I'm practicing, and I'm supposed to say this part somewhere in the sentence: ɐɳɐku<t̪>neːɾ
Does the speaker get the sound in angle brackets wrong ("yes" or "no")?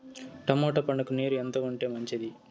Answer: yes